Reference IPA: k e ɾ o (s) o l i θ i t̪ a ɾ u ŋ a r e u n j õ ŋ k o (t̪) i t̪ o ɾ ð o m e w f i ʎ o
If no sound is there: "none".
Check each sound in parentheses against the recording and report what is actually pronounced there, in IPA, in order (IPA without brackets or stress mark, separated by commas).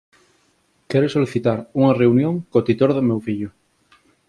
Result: s, t̪